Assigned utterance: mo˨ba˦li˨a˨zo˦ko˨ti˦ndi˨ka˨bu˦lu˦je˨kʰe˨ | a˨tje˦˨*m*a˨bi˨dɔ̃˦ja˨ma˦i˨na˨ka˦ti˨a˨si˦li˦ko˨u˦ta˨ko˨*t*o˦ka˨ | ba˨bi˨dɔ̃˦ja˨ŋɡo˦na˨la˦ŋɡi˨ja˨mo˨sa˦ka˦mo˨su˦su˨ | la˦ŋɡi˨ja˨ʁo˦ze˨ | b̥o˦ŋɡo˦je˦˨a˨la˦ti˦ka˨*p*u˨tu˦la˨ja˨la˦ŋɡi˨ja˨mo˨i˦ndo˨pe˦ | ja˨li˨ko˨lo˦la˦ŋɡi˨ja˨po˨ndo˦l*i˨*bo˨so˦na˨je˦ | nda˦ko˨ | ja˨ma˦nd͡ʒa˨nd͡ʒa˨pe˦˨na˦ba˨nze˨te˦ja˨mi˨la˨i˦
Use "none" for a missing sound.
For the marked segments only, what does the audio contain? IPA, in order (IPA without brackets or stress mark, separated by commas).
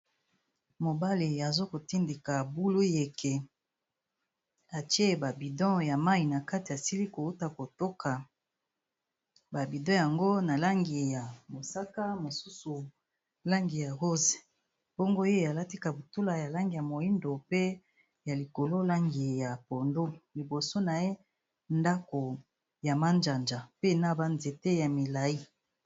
b, t, b, i˨